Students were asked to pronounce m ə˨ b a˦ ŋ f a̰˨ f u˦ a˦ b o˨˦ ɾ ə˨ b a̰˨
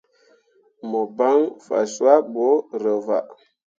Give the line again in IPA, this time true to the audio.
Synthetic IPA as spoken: m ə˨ b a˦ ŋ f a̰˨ s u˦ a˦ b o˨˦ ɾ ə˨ v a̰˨